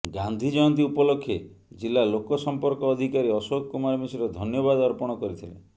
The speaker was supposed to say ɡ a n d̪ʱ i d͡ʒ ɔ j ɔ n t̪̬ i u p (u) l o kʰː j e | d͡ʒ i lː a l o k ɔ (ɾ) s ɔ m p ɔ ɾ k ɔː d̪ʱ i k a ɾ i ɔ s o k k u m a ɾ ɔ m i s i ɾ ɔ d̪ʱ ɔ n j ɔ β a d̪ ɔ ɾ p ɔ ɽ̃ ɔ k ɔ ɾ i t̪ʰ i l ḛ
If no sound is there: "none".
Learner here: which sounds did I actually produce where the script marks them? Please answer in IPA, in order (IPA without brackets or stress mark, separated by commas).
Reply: ɔ, none